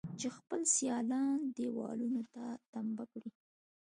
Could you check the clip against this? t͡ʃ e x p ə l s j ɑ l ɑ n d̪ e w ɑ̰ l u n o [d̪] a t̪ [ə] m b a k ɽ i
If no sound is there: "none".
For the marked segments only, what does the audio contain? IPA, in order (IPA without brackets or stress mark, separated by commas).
t̪, a